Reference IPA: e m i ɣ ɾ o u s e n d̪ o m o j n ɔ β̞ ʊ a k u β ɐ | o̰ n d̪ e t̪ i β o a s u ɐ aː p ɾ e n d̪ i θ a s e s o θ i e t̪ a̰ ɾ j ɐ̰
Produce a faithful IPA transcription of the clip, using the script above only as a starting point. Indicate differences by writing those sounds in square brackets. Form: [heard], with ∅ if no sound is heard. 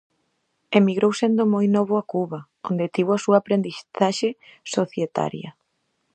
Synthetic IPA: e m i ɣ ɾ o [w] s e n d̪ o m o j n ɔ β̞ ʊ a k u β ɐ | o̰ n d̪ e t̪ i β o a s u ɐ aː p ɾ e n d̪ i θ a [ʃ] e s o θ [j] e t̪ a̰ ɾ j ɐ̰